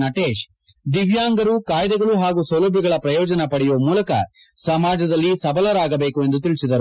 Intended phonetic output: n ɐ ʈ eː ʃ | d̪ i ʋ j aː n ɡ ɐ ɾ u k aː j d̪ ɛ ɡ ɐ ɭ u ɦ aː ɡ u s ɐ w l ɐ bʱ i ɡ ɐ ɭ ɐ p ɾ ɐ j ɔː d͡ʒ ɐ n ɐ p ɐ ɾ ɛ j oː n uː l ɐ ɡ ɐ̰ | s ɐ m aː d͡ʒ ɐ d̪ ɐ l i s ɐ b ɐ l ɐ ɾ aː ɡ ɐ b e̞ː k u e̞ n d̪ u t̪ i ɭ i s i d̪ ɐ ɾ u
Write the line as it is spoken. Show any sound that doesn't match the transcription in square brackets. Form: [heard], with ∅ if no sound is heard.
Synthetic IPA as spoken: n ɐ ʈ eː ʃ | d̪ i ʋ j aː [ŋ] ɡ ɐ ɾ u k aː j d̪ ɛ ɡ ɐ ɭ u ɦ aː ɡ u s ɐ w l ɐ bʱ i ɡ ɐ ɭ ɐ p ɾ ɐ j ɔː d͡ʒ ɐ n ɐ p ɐ [ɽ] ɛ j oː [m] uː l ɐ [k] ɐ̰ | s ɐ m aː d͡ʒ ɐ d̪ ɐ [lː] i s ɐ b ɐ l ɐ ɾ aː ɡ ɐ b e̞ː k u e̞ n d̪ u t̪ i ɭ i s i d̪ ɐ ɾ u